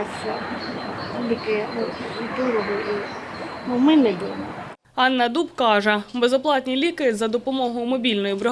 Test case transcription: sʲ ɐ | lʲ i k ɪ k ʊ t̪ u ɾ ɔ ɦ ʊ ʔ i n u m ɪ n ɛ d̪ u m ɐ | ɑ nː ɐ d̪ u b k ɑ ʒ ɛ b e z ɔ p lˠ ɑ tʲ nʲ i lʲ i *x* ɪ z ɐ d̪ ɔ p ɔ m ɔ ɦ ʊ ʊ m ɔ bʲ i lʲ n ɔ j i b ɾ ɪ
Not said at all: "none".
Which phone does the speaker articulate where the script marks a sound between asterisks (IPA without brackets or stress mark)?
k